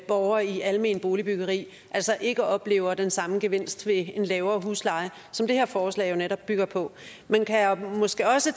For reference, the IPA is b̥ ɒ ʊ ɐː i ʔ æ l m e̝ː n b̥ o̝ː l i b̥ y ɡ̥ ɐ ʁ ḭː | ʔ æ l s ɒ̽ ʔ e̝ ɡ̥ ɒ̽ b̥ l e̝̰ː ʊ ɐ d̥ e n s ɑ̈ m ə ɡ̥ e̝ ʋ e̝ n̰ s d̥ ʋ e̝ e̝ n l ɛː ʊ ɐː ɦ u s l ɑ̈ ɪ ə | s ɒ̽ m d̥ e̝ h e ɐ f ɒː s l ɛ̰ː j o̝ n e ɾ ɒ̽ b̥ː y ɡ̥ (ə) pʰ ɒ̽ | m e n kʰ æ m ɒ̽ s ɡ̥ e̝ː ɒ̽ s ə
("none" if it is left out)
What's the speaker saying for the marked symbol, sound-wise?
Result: ɐ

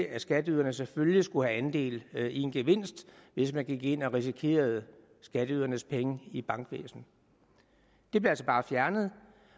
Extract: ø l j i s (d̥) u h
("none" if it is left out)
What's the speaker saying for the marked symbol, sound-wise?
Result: ɡ̥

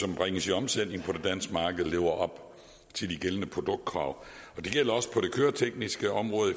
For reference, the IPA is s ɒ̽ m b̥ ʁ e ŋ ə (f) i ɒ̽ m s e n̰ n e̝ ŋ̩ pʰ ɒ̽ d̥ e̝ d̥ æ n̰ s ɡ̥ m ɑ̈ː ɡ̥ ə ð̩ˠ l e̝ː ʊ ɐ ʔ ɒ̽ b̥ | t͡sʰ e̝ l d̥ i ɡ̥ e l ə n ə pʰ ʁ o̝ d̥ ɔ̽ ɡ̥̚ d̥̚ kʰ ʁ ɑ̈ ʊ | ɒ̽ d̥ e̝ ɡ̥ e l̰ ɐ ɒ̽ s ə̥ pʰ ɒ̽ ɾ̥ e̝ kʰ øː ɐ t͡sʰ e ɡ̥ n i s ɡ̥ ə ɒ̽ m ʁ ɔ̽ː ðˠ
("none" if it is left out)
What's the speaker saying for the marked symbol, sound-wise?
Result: s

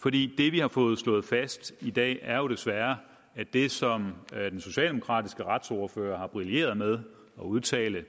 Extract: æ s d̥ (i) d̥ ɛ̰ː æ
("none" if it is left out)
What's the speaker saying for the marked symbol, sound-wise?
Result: i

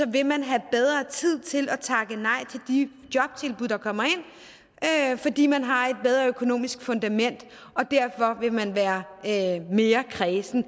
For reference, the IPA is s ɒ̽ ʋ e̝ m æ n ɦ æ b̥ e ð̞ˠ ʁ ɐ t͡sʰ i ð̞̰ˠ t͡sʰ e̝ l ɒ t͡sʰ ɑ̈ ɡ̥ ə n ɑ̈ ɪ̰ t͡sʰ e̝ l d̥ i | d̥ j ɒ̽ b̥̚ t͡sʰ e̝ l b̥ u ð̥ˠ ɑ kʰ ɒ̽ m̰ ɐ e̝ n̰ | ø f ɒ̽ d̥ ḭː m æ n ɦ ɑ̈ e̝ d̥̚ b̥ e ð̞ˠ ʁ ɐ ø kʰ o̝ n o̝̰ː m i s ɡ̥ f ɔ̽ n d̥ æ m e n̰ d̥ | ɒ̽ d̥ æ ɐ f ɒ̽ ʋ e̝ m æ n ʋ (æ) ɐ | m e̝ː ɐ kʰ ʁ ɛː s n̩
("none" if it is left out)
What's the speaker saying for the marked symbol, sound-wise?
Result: æː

